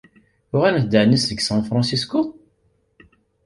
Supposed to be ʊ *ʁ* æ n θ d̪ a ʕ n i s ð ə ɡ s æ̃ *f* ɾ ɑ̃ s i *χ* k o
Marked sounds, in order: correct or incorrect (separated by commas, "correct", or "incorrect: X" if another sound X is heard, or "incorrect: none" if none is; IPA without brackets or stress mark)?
correct, correct, incorrect: s